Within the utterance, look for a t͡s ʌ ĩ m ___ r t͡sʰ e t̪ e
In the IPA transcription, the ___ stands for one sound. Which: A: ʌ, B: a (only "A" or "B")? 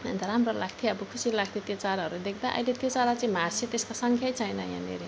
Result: B